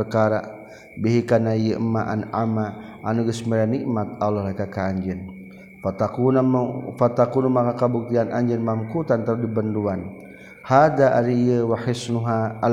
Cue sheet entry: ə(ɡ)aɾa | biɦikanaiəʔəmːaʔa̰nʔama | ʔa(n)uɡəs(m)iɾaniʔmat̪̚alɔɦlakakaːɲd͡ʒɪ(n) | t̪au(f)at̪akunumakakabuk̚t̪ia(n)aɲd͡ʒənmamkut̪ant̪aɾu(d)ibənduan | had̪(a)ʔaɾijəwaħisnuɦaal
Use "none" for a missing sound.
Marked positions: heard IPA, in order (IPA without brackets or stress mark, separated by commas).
k, n, m, n, f, n, d, a